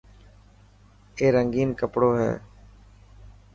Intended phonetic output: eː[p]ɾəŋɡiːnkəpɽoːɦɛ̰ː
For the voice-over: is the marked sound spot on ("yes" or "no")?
no